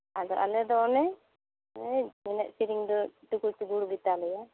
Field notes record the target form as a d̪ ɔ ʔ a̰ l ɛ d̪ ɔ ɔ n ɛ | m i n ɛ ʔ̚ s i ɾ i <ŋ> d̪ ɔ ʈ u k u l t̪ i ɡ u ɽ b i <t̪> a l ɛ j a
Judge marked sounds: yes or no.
yes, yes

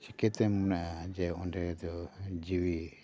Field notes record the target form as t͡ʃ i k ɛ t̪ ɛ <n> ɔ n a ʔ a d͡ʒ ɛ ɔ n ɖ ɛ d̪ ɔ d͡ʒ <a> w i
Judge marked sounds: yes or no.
no, no

